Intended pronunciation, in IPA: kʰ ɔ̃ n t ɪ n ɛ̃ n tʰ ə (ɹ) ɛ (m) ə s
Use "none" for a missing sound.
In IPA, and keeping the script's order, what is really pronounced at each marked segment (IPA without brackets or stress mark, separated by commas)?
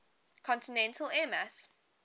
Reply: l, m